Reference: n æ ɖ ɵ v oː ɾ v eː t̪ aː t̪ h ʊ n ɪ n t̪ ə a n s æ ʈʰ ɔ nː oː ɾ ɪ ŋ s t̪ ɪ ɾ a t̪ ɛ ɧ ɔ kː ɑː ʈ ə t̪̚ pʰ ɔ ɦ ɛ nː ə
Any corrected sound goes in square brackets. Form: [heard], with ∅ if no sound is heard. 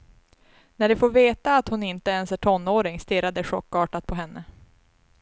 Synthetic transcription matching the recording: n æ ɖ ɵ [f] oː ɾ v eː t̪ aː t̪ h ʊ n ɪ n t̪ ə [ɛ] n s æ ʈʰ ɔ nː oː ɾ ɪ ŋ s t̪ ɪ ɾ a [d̪] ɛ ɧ ɔ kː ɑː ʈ [a] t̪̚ pʰ ɔ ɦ ɛ nː ə